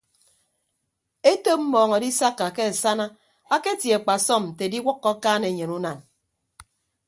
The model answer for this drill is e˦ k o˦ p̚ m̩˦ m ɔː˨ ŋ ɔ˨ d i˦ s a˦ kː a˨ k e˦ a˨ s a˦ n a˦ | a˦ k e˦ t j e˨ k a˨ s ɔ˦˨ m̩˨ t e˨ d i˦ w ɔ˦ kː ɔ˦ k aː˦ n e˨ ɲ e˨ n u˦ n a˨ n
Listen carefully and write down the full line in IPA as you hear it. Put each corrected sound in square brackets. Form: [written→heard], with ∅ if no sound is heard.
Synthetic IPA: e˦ [k→t] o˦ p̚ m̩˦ m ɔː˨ ŋ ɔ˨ d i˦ s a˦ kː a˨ k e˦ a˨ s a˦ n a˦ | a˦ k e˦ t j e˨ [k→k͡p] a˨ s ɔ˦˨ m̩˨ t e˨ d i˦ w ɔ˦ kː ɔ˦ k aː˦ n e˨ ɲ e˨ n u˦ n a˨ n